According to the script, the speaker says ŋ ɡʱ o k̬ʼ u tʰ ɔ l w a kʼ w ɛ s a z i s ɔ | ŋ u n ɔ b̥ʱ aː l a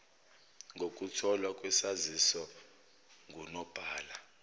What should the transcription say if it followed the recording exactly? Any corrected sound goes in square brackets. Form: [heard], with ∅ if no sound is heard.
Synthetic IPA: ŋ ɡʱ o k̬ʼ u tʰ ɔ l w a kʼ w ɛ s a z i s ɔ | ŋ u n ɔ b̥ʱ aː l a

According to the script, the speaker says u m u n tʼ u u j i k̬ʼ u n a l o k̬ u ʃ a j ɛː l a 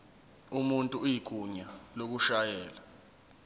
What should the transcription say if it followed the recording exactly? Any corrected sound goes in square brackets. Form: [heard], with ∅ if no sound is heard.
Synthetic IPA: u m u n tʼ u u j i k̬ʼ u [ɲ] a l o k̬ u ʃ a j ɛː l a

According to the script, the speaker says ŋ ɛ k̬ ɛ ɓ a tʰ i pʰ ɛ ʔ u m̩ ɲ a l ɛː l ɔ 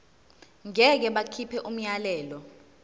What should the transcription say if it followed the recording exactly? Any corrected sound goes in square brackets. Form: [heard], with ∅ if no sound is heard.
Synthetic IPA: ŋ ɛ k̬ ɛ ɓ a [kʰ] i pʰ ɛ ʔ u m̩ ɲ a l ɛː l ɔ

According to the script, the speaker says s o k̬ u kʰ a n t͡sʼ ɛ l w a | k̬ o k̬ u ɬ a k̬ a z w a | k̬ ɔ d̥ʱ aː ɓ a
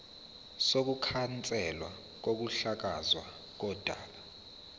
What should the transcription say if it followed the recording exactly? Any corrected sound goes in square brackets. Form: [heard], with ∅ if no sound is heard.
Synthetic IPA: s o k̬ u kʰ a n t͡sʼ ɛ l w a | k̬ o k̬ u ɬ a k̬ a z w a | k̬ ɔ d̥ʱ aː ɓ a

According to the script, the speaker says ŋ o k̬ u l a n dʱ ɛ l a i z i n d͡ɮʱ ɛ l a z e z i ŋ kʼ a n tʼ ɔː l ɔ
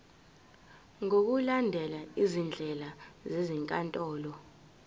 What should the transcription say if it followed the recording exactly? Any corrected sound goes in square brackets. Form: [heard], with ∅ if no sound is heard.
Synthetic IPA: ŋ o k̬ u l a n dʱ ɛ l a i z i n d͡ɮʱ ɛ l a z e z i ŋ kʼ a n tʼ ɔː l ɔ

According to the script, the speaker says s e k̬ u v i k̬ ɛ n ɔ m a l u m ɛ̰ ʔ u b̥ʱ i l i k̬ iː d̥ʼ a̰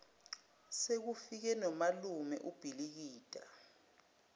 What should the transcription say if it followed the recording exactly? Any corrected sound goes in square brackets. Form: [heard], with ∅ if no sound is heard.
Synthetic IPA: s e k̬ u [f] i k̬ ɛ n ɔ m a l u m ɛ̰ ʔ u b̥ʱ i l i k̬ iː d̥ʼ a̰

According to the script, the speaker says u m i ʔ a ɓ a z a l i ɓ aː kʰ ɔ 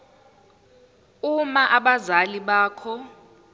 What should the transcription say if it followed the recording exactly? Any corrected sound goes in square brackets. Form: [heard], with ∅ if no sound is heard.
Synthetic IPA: u m [a] ʔ a ɓ a z a l i ɓ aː kʰ ɔ

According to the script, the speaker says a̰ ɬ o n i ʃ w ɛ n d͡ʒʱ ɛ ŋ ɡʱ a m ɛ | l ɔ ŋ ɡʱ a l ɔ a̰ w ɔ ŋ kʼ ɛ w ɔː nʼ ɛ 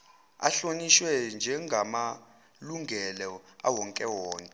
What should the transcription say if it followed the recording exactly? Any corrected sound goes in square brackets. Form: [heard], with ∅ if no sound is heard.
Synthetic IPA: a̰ ɬ o n i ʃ w ɛ n d͡ʒʱ ɛ ŋ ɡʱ a m [a] | l [u] ŋ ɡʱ [ɛ] l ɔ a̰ w ɔ ŋ kʼ ɛ w ɔː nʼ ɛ

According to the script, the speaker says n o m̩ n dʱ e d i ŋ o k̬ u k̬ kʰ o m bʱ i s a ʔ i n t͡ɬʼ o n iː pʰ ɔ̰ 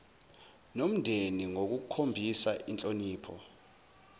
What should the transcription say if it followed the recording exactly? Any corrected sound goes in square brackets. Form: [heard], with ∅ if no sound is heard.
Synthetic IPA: n o m̩ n dʱ e [n] i ŋ o k̬ u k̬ kʰ o m bʱ i s a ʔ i n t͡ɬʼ o n iː pʰ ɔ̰

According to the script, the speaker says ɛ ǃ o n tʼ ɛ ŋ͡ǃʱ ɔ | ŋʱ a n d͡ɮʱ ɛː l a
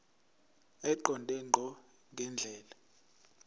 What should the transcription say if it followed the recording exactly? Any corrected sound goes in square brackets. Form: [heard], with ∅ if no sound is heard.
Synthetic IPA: ɛ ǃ [ɔ] n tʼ ɛ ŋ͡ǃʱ ɔ | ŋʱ [ɛ] n d͡ɮʱ ɛː l a

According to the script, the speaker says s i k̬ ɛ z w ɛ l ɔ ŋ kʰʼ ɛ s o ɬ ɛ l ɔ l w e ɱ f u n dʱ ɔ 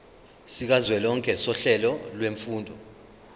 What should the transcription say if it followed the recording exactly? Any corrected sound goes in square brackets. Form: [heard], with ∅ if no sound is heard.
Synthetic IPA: s i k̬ [a] z w ɛ l ɔ ŋ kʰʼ ɛ s [ɔ] ɬ ɛ l ɔ l w e ɱ f [uː] n dʱ ɔ

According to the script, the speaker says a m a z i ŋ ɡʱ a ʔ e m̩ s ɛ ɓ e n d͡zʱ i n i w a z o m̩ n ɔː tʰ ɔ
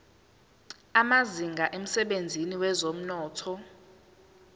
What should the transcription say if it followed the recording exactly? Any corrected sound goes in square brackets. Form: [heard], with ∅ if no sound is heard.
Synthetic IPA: a m a z i ŋ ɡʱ a ʔ e m̩ s ɛ ɓ e n d͡zʱ i n i w [ɛ] z o m̩ n ɔː tʰ ɔ

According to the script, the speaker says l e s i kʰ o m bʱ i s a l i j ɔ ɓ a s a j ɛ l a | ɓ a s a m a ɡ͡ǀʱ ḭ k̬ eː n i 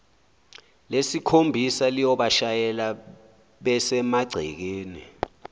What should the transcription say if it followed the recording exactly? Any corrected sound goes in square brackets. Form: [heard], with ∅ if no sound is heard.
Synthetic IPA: l e s i kʰ o m bʱ i s a l i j ɔ ɓ a [ʃ] a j ɛ l a | ɓ [ɛ] s [ɛ] m a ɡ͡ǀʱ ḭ k̬ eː n i

